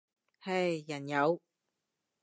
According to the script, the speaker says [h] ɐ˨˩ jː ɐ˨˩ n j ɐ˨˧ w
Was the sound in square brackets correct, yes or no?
yes